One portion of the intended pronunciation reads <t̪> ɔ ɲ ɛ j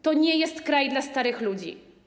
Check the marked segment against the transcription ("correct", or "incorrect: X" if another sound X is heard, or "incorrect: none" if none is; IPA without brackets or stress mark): correct